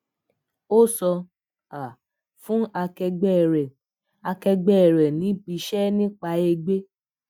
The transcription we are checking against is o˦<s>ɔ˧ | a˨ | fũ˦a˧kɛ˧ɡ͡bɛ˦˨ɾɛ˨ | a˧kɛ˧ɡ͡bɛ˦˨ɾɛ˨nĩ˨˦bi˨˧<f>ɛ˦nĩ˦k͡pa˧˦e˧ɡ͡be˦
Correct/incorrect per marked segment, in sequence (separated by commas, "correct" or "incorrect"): correct, incorrect